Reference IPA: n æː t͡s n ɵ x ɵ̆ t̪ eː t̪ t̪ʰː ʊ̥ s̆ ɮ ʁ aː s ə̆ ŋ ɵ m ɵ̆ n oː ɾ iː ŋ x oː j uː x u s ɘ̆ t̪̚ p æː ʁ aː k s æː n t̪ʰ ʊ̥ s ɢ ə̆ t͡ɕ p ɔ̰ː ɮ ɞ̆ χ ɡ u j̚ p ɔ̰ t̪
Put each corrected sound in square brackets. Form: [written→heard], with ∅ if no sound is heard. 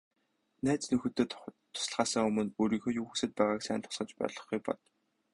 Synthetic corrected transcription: n æː t͡s n ɵ x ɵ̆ t̪ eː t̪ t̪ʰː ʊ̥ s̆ ɮ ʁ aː s ə̆ ŋ ɵ m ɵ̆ n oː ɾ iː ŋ x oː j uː x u s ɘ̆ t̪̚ p æː ʁ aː k s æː n t̪ʰ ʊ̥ s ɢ ə̆ t͡ɕ p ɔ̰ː ɮ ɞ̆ χ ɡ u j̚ p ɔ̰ t̪